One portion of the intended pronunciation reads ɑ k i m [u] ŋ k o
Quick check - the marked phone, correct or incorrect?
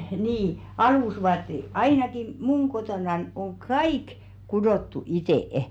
correct